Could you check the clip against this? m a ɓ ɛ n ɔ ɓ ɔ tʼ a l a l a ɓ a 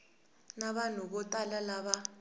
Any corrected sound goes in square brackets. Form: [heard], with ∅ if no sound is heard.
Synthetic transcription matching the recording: [n] a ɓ [a] n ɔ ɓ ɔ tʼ a l a l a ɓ a